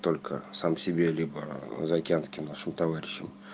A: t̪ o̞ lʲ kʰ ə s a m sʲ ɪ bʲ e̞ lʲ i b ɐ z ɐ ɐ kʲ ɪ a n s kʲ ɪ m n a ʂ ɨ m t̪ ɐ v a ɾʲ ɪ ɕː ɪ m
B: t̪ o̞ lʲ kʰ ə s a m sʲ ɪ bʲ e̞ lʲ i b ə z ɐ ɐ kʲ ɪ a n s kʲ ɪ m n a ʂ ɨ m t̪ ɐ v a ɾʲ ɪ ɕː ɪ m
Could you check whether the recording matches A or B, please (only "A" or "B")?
B